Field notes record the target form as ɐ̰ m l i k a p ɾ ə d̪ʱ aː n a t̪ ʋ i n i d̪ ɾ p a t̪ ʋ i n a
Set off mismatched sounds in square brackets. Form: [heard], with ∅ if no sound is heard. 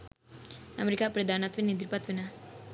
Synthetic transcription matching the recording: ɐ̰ m [ɾ] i k a p ɾ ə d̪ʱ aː n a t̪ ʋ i n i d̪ ɾ p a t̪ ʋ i n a